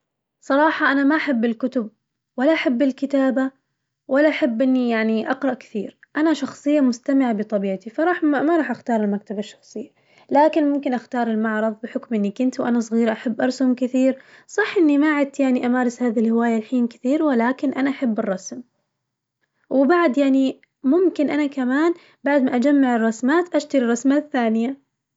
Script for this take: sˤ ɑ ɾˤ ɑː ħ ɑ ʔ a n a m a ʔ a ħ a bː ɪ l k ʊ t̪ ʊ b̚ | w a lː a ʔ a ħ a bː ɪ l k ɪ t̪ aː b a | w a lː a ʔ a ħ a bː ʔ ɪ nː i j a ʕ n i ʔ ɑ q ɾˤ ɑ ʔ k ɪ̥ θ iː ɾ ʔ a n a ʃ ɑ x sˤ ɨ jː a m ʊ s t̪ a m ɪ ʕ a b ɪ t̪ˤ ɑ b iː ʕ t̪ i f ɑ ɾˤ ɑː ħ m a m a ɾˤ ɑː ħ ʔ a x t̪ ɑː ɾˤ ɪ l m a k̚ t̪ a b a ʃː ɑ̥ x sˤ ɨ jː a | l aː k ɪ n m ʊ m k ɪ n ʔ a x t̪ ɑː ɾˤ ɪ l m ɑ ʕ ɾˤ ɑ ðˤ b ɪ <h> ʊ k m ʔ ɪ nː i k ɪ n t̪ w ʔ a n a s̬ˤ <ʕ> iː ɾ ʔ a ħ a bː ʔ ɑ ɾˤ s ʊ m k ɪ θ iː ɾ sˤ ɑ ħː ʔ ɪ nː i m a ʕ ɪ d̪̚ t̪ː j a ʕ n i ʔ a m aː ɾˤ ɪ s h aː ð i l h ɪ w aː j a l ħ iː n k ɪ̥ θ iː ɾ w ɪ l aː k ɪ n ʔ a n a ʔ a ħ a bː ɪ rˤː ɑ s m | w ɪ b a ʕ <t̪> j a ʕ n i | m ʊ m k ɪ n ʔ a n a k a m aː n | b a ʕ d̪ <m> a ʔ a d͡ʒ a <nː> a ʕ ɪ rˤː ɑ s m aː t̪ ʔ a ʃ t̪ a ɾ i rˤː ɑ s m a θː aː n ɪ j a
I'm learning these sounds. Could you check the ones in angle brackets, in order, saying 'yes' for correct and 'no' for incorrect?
no, no, no, yes, no

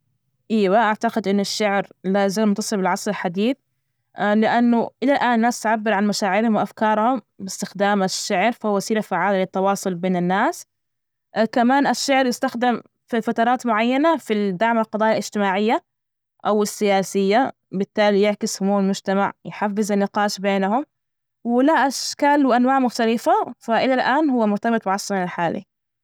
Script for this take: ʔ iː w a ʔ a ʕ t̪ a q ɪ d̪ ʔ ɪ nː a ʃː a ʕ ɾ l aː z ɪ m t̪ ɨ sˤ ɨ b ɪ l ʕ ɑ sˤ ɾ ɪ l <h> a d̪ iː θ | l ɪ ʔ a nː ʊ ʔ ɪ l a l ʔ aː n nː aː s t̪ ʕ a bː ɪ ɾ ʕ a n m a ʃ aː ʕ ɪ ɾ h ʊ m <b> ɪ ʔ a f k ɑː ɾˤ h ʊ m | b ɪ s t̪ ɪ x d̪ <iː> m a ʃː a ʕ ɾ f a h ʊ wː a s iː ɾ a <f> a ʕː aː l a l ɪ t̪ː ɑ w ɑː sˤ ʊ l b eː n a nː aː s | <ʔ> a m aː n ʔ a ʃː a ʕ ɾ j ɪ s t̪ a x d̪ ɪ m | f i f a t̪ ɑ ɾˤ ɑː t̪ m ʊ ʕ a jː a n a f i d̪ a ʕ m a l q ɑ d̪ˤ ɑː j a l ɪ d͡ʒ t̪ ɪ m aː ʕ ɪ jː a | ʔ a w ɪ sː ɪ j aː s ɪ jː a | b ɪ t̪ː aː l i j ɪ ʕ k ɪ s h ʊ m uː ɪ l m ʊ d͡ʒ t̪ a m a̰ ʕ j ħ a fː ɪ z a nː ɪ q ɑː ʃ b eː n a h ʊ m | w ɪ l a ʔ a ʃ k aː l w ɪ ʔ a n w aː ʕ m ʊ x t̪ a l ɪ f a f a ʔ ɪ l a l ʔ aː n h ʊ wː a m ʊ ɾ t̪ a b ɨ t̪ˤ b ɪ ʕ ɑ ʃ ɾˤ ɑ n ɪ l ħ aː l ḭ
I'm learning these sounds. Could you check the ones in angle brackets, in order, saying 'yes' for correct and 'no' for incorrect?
no, no, no, yes, no

